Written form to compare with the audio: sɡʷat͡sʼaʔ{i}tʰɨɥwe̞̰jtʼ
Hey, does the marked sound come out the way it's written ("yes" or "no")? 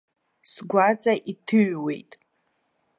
yes